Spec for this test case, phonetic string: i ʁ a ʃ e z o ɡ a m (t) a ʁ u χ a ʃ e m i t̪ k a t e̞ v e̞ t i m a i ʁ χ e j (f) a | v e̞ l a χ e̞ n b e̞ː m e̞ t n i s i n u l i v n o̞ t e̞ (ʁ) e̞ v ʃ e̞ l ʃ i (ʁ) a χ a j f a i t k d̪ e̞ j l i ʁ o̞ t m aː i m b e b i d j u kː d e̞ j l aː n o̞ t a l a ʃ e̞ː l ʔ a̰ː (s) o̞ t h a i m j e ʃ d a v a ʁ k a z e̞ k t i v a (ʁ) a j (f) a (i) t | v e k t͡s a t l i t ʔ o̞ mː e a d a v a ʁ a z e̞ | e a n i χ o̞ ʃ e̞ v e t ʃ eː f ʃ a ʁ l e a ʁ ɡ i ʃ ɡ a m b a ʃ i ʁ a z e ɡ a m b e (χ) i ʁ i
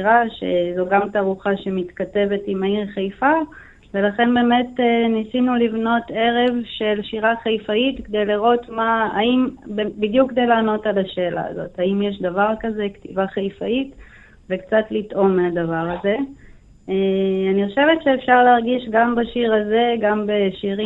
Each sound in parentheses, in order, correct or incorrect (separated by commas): correct, correct, correct, correct, incorrect, incorrect, correct, correct, incorrect